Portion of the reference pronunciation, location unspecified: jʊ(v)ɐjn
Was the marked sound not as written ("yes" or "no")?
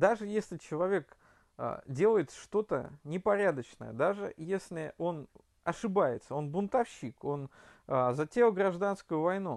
no